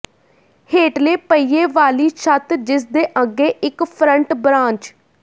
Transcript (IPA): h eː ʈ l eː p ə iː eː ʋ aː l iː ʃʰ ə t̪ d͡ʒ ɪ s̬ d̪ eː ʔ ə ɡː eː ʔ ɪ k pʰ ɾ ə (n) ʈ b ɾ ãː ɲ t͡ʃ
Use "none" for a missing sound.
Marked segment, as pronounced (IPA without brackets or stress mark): ɳ